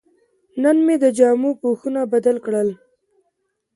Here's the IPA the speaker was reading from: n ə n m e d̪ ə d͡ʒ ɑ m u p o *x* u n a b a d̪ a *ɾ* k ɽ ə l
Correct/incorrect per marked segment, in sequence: correct, incorrect

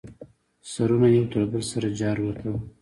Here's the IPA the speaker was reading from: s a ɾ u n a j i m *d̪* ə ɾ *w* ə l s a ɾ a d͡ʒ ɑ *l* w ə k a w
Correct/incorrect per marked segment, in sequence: incorrect, incorrect, incorrect

